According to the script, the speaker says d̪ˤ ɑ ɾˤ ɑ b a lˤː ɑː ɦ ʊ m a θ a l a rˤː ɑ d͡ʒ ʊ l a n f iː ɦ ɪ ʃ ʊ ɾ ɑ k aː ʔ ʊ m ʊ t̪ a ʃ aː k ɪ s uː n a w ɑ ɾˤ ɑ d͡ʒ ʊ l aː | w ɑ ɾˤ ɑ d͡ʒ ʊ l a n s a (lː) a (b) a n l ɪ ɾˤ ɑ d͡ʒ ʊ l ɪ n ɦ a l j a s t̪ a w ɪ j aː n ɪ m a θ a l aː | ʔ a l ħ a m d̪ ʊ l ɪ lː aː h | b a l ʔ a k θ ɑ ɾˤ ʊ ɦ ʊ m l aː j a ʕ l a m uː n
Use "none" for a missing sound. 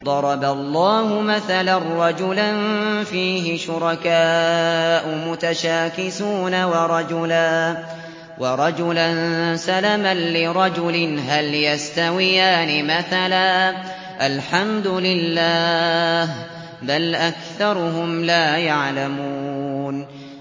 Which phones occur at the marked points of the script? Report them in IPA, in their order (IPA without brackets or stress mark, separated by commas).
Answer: l, m